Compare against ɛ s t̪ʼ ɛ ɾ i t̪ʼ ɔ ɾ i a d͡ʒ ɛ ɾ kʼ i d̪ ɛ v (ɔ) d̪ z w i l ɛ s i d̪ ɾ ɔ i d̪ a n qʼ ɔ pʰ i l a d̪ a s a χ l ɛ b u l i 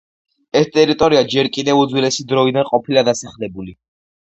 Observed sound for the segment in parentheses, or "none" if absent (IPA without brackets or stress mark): u